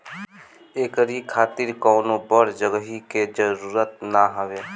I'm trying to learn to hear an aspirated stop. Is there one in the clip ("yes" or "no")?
yes